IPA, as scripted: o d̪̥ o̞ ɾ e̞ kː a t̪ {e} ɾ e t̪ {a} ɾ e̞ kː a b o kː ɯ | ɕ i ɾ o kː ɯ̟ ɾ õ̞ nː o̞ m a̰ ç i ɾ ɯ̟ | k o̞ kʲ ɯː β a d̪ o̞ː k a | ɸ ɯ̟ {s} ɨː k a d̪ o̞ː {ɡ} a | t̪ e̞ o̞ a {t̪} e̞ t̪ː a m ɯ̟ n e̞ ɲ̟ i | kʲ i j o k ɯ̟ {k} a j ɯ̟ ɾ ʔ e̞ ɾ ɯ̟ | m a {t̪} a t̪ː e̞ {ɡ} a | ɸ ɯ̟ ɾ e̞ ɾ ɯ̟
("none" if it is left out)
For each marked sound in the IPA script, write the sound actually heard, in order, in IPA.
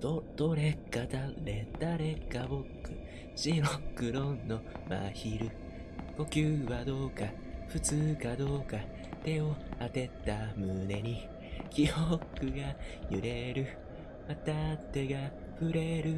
a, a, t͡s, k, t̪, ɡ, t̪, ɡ

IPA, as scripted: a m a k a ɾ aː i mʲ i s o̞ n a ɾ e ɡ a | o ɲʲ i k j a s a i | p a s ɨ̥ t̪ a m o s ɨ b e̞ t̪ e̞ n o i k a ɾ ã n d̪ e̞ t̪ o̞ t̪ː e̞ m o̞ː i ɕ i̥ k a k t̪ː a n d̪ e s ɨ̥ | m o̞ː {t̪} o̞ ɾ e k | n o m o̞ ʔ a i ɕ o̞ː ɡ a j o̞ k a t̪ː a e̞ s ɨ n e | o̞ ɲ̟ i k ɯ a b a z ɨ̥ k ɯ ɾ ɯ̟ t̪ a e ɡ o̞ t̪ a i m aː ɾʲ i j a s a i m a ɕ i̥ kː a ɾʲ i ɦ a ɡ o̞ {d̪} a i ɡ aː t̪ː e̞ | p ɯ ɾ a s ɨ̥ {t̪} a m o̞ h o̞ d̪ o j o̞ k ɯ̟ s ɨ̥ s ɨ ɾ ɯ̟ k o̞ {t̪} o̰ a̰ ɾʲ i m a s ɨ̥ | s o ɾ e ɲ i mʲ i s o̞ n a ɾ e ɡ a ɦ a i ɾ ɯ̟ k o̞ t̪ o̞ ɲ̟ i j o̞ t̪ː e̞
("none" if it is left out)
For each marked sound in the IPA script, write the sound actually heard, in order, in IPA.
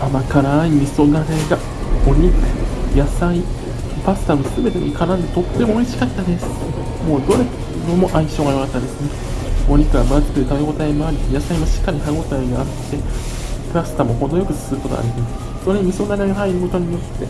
d̪, t̪, t̪, t̪

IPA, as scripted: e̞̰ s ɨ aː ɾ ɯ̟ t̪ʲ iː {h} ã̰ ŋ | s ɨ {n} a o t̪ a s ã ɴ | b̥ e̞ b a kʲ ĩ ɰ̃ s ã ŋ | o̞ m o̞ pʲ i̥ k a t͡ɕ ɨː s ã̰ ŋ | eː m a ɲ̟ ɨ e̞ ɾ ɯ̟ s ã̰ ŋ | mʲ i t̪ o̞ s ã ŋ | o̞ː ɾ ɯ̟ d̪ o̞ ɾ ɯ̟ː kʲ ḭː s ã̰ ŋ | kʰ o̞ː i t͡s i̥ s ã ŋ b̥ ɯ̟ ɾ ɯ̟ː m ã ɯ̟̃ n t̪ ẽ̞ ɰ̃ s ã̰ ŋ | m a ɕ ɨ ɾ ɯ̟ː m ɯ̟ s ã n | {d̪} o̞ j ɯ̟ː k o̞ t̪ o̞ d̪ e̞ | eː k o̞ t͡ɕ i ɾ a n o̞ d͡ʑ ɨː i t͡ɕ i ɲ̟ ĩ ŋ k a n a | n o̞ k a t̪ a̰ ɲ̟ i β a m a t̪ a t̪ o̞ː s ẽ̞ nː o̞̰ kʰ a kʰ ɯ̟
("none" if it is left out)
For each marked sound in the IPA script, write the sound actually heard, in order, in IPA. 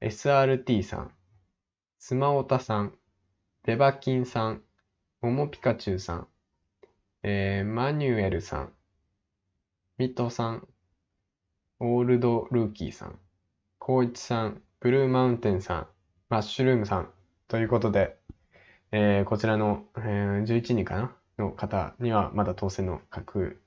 s, m, t̪

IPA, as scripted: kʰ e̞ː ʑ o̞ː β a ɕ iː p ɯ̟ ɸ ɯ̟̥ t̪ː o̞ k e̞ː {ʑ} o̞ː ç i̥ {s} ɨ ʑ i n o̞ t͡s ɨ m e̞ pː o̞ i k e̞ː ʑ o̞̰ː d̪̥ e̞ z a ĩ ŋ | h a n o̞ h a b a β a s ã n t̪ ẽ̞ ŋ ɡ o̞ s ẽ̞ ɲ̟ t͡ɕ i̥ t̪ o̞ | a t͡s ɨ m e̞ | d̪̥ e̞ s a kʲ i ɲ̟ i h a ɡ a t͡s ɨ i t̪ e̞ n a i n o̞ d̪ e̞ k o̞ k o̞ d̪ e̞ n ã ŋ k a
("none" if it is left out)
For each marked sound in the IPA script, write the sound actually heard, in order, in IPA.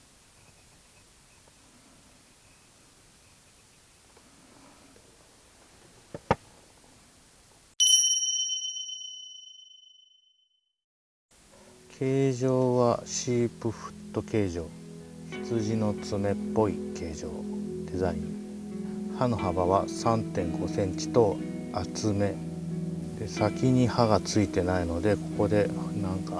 ʑ, t͡s

